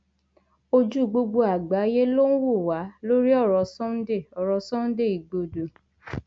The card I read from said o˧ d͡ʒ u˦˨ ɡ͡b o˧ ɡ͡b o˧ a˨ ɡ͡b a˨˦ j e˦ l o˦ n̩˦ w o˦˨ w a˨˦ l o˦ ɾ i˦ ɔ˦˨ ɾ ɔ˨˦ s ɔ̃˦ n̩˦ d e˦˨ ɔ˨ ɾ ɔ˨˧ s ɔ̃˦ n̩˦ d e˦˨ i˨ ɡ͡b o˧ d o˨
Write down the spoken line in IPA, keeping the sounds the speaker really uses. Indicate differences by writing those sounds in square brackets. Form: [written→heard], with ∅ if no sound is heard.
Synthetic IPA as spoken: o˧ d͡ʒ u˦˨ ɡ͡b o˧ ɡ͡b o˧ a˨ ɡ͡b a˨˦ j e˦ l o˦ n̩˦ w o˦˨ w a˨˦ l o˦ ɾ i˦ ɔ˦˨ ɾ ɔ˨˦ s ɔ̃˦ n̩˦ d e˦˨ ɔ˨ ɾ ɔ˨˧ s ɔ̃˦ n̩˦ d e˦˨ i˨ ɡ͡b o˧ d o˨